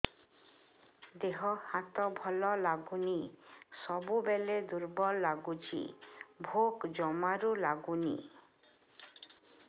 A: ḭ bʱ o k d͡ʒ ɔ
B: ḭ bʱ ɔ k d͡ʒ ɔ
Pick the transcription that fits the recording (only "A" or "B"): A